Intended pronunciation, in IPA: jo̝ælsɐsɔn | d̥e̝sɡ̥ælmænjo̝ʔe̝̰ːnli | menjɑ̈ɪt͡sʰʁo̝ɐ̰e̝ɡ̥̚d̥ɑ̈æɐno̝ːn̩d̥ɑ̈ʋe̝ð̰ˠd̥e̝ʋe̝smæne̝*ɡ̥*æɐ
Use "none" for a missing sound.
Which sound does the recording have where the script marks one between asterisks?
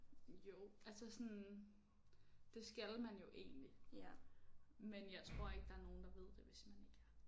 ɡ̥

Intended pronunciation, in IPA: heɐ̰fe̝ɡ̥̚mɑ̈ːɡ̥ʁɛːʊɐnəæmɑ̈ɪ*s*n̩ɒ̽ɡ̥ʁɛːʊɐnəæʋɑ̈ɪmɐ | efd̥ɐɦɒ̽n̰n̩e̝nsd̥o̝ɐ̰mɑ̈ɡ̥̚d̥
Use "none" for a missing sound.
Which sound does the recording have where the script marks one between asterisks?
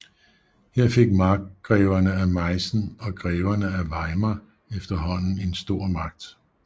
s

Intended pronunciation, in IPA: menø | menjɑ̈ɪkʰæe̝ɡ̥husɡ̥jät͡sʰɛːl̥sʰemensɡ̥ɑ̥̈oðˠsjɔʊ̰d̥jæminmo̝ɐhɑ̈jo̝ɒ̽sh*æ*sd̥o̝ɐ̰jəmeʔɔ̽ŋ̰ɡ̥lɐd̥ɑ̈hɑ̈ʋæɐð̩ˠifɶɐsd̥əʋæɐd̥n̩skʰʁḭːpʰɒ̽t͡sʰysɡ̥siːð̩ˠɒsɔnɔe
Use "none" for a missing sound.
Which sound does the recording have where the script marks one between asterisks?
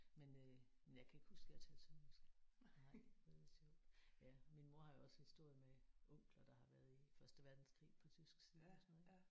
i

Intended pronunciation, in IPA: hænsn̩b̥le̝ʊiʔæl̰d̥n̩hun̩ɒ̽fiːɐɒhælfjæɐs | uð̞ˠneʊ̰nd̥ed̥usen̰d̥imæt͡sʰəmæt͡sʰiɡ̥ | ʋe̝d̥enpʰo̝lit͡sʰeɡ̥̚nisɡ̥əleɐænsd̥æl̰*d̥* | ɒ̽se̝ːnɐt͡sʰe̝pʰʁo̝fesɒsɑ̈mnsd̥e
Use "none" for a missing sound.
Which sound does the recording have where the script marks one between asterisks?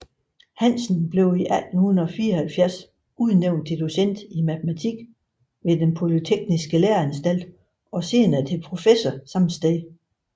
d̥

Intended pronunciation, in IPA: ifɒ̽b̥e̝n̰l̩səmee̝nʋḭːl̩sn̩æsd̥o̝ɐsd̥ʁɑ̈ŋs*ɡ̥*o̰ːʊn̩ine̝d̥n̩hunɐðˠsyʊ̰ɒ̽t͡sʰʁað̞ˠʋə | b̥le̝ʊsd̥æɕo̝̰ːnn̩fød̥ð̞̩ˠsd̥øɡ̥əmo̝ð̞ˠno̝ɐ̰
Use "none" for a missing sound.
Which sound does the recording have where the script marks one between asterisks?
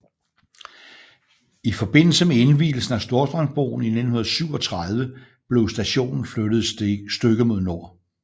b̥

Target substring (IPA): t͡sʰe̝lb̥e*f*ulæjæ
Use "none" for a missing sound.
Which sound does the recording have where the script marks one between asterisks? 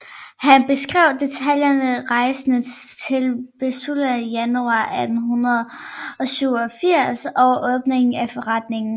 s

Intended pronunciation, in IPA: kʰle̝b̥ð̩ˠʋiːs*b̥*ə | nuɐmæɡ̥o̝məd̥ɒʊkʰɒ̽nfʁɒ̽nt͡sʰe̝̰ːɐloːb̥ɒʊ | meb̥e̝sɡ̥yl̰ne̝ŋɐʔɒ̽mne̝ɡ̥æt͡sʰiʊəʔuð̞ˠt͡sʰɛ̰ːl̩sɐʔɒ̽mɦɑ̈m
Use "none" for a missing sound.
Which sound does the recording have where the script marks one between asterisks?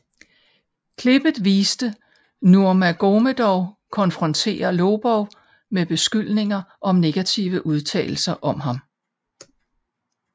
d̥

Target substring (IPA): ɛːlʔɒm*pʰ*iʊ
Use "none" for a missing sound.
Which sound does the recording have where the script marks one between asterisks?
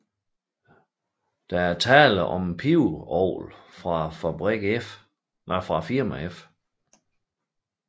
pʰ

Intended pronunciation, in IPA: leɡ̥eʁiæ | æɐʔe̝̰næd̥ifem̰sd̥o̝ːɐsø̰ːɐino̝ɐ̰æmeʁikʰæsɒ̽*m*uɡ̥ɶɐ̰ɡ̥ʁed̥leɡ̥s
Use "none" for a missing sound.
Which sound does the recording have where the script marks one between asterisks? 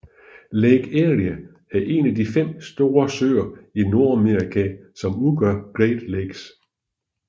m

